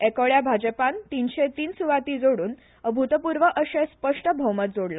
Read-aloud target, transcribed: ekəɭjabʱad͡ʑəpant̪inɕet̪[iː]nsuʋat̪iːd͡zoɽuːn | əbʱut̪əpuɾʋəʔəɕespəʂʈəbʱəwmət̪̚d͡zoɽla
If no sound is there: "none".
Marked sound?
iː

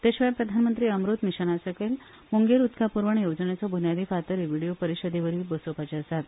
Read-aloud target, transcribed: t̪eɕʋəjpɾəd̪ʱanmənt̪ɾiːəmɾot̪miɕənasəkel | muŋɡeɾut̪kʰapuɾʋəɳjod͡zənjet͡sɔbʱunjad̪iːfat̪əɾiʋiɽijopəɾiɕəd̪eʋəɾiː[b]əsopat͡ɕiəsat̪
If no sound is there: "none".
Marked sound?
b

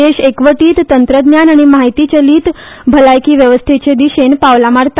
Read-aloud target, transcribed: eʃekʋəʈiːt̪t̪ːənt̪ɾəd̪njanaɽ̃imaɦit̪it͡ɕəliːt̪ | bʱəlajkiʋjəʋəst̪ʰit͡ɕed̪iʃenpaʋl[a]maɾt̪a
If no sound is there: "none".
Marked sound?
a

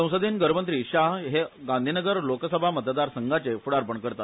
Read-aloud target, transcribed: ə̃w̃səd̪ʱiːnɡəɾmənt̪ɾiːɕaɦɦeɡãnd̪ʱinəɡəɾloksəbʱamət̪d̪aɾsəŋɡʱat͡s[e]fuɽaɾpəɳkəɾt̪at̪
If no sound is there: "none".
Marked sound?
e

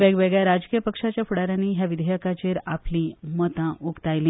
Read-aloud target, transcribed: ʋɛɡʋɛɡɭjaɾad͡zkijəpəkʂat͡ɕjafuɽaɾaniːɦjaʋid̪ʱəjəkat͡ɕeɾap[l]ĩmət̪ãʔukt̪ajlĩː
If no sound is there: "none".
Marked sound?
l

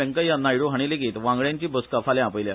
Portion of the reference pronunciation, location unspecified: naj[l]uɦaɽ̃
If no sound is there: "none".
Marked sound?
ɽ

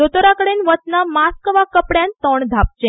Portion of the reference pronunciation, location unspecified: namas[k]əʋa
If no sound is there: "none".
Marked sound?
k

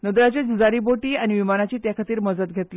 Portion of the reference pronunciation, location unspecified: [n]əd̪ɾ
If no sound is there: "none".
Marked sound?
n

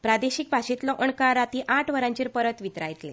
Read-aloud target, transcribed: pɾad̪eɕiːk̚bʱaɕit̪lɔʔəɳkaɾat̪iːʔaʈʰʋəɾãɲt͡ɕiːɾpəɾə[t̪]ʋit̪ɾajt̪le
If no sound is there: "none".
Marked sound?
t̪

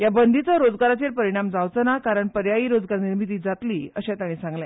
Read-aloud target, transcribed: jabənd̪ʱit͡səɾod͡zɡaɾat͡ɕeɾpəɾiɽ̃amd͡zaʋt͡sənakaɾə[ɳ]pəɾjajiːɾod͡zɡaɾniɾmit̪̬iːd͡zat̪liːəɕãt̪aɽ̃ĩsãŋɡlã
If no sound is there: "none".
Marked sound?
ɳ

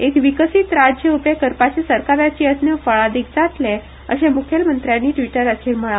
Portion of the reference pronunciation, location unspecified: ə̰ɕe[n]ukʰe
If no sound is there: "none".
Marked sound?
m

